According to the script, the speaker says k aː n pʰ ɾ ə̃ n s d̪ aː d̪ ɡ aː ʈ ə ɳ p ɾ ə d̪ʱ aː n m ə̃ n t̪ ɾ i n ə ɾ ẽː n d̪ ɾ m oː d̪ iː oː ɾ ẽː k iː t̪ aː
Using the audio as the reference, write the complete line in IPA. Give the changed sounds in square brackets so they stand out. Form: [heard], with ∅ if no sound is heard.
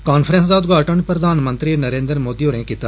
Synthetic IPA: k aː n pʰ ɾ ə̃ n s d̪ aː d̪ ɡ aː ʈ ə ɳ p ɾ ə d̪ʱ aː n m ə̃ n t̪ ɾ i n ə ɾ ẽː n d̪ ɾ m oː d̪ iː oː ɾ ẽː k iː t̪ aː